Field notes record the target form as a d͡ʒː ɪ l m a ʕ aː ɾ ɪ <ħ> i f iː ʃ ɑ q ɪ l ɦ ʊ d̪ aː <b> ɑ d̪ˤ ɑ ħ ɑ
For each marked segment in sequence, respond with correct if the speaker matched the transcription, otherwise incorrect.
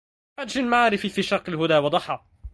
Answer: incorrect: f, incorrect: w

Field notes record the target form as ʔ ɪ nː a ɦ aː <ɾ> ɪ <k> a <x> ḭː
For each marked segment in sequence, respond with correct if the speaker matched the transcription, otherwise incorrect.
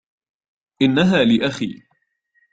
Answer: incorrect: l, incorrect: ʔ, correct

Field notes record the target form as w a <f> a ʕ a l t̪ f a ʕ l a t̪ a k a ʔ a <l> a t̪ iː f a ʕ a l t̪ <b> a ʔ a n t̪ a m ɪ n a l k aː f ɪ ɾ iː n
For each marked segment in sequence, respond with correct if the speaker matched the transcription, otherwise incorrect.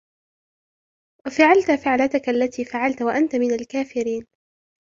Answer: correct, incorrect: lː, incorrect: w

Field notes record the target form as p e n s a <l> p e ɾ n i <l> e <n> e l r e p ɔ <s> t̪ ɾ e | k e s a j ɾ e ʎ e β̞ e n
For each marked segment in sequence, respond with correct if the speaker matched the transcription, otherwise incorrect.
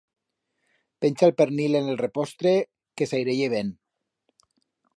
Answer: correct, correct, correct, correct

